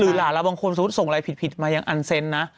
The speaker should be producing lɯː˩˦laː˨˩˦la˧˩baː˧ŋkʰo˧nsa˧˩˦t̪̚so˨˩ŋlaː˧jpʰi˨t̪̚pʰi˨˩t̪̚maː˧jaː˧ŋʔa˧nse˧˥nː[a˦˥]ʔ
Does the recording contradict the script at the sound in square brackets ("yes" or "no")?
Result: no